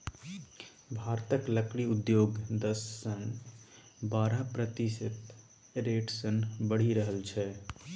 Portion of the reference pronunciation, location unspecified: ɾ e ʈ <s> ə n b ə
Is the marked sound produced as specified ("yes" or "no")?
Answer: yes